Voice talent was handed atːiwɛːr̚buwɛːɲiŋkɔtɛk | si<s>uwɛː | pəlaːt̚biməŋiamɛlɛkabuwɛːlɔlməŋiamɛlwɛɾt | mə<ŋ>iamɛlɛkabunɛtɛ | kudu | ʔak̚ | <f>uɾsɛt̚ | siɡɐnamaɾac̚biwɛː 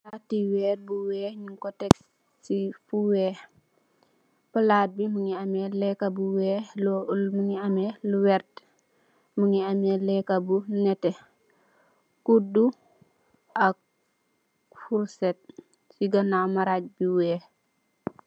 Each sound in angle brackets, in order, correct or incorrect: incorrect: f, correct, correct

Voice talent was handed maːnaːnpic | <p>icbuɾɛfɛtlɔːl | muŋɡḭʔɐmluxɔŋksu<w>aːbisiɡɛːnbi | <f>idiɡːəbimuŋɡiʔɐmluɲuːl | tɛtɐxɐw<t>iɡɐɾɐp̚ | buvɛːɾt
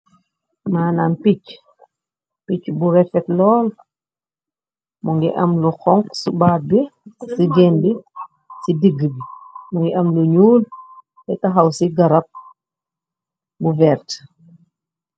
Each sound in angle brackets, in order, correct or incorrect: correct, incorrect: b, incorrect: s, incorrect: s

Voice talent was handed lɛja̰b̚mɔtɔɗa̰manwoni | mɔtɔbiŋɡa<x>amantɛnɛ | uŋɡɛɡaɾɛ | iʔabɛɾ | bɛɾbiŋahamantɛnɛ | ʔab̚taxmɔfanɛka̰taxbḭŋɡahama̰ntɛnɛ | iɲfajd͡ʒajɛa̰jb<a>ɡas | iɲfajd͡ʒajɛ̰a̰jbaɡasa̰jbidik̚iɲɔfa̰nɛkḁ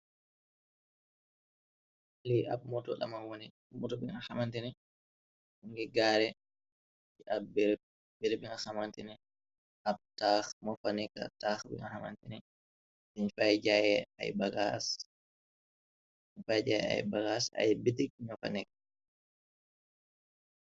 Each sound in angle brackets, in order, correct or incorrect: incorrect: h, correct

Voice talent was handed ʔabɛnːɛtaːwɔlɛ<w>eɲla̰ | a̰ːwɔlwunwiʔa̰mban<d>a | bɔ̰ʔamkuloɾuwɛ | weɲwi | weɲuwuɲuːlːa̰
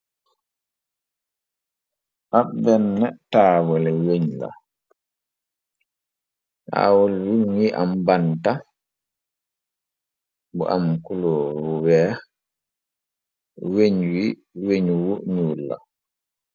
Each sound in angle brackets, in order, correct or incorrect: correct, incorrect: t

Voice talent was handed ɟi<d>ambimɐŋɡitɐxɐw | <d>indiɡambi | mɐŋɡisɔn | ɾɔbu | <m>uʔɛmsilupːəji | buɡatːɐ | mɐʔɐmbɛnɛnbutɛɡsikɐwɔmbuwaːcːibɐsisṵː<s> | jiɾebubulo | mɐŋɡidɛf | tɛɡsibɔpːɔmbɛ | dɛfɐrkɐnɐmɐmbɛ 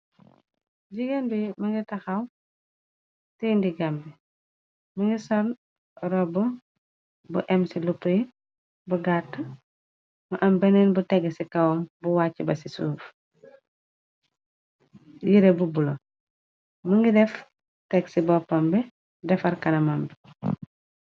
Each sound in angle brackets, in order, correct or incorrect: incorrect: ɡ, incorrect: t, incorrect: b, incorrect: f

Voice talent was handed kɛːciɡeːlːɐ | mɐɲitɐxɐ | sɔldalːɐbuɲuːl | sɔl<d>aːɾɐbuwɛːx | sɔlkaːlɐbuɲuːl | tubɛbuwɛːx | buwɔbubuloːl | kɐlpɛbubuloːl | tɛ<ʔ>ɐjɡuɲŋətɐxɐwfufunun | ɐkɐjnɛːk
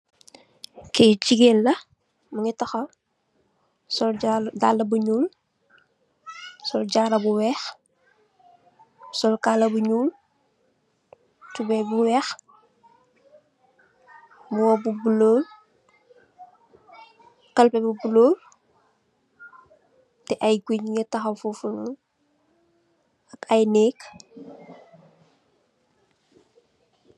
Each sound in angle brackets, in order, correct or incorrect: incorrect: ɟ, correct

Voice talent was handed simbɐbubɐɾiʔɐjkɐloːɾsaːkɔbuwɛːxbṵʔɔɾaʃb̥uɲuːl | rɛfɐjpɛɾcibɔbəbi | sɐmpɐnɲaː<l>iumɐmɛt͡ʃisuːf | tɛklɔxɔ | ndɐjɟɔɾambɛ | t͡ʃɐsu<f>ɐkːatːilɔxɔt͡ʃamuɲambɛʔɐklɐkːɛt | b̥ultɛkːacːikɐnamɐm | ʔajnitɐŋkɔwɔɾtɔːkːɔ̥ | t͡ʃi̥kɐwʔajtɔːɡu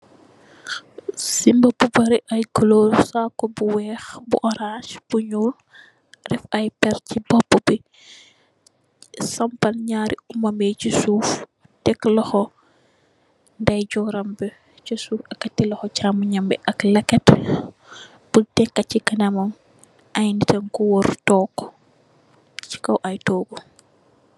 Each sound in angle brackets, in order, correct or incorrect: incorrect: ɾ, correct

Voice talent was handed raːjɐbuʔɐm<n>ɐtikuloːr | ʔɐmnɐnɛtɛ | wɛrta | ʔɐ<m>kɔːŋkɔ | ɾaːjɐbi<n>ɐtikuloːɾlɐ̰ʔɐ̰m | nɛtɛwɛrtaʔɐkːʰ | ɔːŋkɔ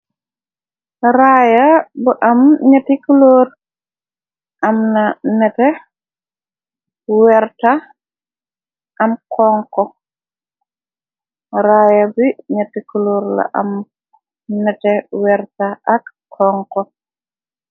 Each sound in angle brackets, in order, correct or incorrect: incorrect: ɲ, correct, incorrect: ɲ

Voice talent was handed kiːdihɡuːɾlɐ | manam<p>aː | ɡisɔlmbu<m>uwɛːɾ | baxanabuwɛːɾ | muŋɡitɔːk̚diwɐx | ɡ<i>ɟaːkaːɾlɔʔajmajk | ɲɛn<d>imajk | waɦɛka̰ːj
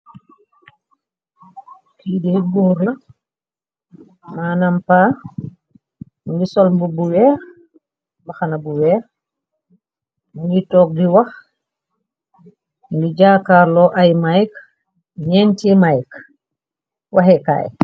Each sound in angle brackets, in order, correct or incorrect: correct, incorrect: b, correct, incorrect: t

